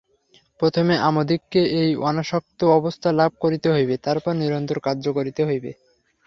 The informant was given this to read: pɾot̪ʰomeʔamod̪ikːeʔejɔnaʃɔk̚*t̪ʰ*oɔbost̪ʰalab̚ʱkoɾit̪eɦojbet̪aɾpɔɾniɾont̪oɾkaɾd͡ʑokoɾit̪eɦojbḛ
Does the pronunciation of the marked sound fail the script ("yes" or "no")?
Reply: yes